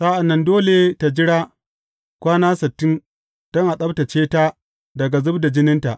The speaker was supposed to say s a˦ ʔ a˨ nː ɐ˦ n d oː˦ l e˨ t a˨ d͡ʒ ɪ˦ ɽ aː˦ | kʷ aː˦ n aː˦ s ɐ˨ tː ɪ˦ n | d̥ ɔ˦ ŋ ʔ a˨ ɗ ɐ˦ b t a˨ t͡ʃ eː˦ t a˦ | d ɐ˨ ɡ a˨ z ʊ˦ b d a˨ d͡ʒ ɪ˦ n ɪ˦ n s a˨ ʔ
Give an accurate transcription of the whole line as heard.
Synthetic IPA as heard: s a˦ ʔ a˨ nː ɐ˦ n d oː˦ l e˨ t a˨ d͡ʒ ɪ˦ ɽ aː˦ | kʷ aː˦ n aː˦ s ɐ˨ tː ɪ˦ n | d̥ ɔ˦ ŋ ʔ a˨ ɗ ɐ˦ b t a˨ t͡ʃ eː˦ t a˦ | d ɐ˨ ɡ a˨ z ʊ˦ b d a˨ d͡ʒ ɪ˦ n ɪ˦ n t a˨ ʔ